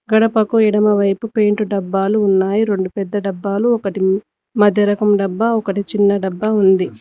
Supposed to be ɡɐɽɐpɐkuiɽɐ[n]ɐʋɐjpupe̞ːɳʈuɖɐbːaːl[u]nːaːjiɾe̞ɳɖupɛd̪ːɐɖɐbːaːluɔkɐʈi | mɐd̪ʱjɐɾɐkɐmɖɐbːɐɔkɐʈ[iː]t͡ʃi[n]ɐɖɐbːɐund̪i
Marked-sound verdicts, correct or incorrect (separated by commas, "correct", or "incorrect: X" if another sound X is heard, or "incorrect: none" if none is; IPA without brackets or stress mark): incorrect: m, incorrect: uː, incorrect: i, incorrect: nː